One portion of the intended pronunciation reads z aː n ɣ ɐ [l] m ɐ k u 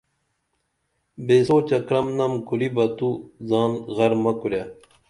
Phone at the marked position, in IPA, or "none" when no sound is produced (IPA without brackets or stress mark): ɾ